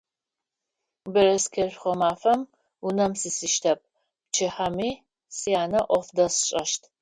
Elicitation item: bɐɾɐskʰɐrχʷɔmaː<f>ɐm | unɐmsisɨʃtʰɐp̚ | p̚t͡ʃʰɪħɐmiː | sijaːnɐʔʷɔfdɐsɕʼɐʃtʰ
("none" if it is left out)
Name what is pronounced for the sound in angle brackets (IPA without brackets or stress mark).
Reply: f